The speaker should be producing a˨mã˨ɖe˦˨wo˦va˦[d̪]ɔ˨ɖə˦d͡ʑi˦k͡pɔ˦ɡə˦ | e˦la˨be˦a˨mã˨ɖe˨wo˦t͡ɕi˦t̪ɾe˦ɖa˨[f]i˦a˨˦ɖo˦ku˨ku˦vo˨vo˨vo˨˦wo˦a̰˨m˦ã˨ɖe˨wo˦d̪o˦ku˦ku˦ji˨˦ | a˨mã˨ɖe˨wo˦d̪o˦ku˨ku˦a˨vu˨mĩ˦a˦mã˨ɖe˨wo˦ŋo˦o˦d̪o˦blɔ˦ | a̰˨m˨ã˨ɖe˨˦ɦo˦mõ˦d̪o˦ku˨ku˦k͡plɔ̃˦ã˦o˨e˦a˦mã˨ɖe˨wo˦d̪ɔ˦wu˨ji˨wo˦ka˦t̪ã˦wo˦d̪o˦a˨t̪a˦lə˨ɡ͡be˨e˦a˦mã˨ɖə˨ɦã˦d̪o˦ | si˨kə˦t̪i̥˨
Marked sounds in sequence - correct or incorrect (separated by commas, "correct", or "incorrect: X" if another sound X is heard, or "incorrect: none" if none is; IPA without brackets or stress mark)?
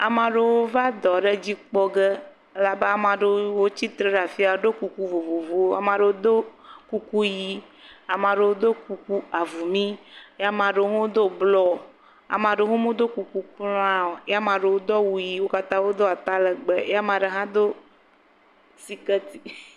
correct, correct